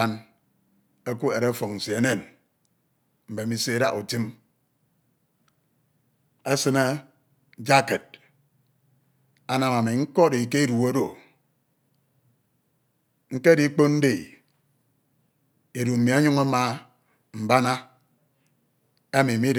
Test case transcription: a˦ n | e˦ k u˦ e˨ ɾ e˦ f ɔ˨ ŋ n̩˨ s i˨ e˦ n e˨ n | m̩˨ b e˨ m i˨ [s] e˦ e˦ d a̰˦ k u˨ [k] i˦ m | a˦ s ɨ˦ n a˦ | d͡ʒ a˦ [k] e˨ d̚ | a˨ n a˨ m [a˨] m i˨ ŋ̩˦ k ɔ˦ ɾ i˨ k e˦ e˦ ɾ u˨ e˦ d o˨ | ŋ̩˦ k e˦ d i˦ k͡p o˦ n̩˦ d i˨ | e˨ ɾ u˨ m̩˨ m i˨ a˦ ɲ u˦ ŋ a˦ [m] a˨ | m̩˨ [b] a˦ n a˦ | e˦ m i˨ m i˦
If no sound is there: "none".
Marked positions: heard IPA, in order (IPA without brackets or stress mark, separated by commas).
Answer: s, t, k, a˨, m, b